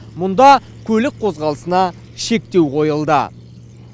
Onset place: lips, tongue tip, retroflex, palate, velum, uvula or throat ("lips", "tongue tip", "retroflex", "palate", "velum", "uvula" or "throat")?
lips